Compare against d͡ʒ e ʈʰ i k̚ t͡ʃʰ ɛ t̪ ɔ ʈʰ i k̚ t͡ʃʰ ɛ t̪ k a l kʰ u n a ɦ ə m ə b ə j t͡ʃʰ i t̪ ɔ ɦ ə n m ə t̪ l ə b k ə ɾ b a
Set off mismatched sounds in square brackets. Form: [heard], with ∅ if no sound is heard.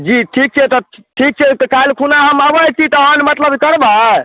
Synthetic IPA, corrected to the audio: d͡ʒ [i] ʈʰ i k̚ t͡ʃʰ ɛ t̪ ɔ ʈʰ i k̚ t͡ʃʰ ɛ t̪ k a l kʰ u n a ɦ ə m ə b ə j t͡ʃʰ i t̪ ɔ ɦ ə n m ə t̪ l ə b k ə ɾ b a